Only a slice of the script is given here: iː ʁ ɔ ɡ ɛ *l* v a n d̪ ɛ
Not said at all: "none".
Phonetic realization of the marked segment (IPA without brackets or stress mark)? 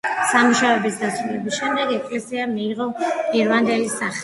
ɾ